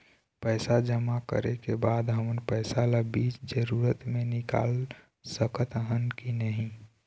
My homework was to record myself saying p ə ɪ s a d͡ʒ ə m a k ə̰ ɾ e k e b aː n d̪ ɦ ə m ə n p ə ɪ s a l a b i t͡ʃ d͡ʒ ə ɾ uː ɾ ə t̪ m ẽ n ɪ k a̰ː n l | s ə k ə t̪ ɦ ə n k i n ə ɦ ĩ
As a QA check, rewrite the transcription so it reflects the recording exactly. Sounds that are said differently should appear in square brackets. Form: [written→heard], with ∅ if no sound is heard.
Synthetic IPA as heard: p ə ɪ s a d͡ʒ ə m a k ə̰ ɾ e k e b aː [n→∅] d̪ ɦ ə m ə n p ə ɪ s a l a b i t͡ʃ d͡ʒ ə ɾ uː ɾ ə t̪ m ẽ n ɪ k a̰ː [n→∅] l | s ə k ə t̪ ɦ ə n k i n ə ɦ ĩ